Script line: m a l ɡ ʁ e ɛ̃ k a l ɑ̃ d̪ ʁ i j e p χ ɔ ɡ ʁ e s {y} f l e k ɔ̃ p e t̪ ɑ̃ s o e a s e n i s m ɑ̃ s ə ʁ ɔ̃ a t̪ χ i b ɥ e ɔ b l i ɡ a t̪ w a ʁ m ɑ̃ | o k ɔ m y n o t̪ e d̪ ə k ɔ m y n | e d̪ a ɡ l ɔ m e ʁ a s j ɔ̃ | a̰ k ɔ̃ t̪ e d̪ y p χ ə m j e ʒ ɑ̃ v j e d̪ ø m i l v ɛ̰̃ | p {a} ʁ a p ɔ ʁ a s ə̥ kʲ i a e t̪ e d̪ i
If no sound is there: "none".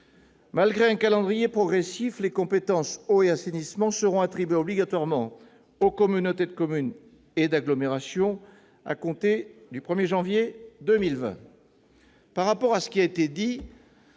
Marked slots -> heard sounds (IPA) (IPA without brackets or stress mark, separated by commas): i, a